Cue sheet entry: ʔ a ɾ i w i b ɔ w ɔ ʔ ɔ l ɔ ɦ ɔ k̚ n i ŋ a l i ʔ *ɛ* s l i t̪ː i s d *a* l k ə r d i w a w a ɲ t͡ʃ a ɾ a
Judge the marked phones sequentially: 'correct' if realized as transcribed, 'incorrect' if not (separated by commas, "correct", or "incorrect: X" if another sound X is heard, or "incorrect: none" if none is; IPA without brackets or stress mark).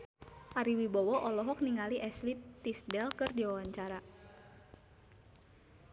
correct, incorrect: ɛ